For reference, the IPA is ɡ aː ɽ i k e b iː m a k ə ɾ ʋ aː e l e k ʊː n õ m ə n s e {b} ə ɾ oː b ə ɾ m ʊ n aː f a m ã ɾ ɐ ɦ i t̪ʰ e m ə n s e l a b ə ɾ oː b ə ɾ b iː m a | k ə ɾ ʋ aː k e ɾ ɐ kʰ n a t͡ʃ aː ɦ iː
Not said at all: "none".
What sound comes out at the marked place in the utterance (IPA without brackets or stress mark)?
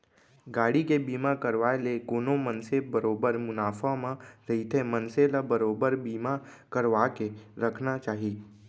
b